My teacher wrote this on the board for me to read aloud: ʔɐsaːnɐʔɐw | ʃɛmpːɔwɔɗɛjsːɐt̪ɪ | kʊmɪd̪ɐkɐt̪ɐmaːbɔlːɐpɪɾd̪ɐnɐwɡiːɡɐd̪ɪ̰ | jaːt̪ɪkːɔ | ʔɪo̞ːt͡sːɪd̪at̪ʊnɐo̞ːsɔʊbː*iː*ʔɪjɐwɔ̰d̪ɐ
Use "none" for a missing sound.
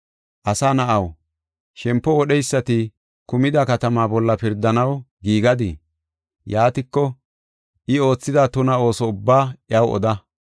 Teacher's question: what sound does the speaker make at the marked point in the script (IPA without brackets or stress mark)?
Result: aː